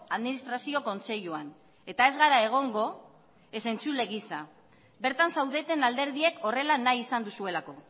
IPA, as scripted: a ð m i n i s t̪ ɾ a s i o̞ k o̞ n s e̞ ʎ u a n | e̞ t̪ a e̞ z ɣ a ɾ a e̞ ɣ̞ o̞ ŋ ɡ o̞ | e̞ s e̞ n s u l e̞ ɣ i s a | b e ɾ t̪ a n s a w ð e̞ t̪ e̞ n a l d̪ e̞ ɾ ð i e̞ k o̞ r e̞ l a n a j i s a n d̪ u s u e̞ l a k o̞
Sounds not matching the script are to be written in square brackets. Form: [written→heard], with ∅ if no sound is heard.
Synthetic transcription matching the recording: a ð m i n i s t̪ ɾ a s i o̞ k o̞ n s e̞ ʎ u a n | e̞ t̪ a e̞ z ɣ a ɾ a e̞ ɣ̞ o̞ ŋ ɡ o̞ | e̞ s e̞ n [s→t͡s] u l e̞ ɣ i s a | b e ɾ t̪ a n s a w ð e̞ t̪ e̞ n a l d̪ e̞ ɾ ð i e̞ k o̞ r e̞ l a n a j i s a n d̪ u s u e̞ l a k o̞